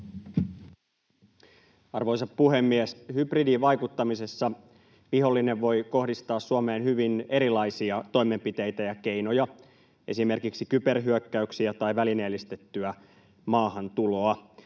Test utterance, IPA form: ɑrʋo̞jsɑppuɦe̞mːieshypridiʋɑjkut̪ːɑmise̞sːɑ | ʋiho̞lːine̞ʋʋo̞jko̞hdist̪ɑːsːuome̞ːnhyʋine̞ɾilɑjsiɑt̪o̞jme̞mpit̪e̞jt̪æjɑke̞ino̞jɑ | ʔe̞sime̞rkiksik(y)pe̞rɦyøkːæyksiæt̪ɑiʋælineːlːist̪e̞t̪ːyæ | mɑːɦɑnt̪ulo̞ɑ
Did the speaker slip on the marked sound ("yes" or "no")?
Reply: no